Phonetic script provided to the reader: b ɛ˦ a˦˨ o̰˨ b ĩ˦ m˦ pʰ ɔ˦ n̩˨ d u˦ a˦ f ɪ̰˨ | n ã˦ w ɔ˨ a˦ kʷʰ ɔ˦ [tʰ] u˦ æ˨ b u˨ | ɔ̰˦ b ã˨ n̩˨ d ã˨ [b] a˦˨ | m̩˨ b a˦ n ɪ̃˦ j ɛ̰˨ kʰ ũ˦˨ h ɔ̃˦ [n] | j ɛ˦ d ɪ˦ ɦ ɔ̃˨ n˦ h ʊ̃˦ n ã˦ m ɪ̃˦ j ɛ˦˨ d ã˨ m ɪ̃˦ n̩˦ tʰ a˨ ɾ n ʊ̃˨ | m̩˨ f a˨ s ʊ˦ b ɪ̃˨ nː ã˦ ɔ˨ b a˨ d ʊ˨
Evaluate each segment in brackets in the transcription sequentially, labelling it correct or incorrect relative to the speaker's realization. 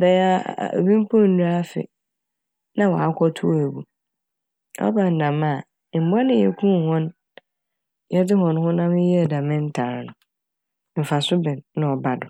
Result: correct, incorrect: m, correct

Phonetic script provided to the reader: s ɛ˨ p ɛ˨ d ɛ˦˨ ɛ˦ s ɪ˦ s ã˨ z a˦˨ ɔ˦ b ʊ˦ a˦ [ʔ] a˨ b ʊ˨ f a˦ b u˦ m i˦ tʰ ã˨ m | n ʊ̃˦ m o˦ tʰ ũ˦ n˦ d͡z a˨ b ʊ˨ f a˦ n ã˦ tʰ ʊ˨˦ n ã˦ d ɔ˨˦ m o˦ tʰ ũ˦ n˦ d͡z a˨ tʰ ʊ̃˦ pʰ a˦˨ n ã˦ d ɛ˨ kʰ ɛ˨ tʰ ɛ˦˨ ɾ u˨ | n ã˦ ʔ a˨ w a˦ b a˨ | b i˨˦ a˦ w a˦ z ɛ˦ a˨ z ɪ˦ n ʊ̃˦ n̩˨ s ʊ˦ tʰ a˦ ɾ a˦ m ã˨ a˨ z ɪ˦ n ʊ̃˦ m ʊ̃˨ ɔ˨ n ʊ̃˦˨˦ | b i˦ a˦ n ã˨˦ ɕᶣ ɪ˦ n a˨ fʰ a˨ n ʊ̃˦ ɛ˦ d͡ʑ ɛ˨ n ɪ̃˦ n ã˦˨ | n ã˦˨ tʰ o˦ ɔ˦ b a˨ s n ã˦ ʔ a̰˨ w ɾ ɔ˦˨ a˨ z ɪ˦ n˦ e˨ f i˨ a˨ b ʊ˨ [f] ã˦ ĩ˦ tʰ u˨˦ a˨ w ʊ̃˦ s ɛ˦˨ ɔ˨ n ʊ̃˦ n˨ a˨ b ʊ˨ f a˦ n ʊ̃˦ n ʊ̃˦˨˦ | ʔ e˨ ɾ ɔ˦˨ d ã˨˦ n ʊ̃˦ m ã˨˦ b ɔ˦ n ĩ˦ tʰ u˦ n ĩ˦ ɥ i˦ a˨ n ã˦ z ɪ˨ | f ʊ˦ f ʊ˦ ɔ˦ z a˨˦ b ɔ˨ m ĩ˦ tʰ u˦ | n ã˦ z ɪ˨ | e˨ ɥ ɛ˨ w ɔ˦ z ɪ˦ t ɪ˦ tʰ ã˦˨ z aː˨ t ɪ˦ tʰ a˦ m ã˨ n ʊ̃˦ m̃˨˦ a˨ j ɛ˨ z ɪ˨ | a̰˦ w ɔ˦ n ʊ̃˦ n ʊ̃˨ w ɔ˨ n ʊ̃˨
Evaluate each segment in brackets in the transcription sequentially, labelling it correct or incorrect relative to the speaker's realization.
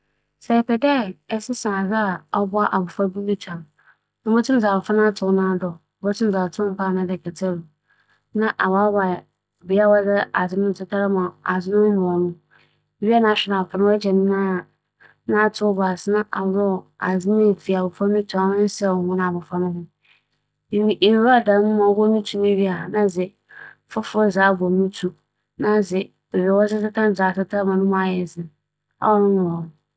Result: correct, correct

